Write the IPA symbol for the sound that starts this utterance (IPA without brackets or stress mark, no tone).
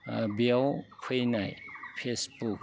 b